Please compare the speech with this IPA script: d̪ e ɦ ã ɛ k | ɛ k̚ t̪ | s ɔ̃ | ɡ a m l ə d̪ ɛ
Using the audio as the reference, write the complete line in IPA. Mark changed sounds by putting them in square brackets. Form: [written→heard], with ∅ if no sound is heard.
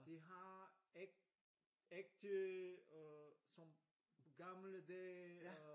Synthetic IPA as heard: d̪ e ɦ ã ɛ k | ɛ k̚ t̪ | s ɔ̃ | ɡ a m l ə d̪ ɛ